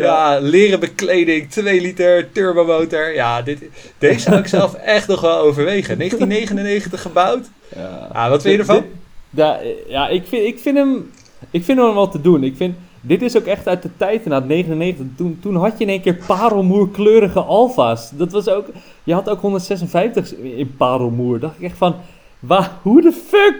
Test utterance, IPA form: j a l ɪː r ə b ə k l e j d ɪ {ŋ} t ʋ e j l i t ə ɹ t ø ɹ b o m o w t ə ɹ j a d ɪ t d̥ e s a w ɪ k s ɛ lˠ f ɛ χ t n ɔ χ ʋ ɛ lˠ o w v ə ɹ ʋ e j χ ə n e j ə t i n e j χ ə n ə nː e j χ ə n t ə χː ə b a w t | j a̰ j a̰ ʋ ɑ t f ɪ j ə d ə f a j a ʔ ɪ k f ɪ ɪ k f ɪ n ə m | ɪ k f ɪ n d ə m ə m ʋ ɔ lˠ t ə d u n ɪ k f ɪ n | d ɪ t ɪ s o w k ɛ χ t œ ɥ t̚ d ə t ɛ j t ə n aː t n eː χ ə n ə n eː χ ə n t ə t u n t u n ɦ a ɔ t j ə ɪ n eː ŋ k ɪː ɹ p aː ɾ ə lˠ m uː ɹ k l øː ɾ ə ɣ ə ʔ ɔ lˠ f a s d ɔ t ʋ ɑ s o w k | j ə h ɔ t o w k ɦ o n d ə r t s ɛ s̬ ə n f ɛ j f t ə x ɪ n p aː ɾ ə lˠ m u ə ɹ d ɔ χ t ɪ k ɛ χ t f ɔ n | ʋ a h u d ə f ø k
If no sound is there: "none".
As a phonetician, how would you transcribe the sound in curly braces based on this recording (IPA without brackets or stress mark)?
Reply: ŋ